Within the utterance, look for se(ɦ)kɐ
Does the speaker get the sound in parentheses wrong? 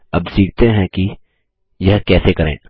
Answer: yes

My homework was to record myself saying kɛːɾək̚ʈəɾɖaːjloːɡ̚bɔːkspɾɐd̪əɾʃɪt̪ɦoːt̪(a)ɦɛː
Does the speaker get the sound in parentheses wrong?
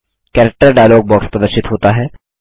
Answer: no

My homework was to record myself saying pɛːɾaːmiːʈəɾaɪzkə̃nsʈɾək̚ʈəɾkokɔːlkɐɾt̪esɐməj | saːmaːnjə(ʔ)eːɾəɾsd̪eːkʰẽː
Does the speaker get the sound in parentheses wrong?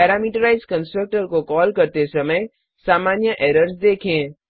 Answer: no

